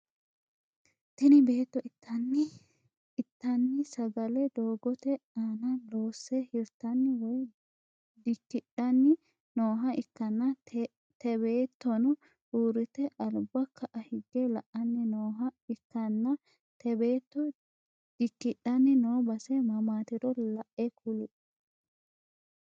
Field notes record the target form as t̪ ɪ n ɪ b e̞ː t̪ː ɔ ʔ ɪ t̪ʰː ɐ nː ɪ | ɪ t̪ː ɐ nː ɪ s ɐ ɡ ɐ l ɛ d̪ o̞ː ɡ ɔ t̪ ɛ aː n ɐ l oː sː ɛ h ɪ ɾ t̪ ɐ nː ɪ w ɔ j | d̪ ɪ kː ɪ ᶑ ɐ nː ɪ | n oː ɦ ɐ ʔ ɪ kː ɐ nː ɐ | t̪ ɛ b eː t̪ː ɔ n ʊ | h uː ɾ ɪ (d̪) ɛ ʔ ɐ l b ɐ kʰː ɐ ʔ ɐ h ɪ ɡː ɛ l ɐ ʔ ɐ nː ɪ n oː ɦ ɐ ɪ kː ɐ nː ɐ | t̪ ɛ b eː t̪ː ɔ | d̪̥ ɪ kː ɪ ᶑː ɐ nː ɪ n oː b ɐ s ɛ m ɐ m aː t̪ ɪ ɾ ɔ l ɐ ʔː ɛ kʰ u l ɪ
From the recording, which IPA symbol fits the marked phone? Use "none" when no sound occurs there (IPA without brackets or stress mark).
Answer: t̪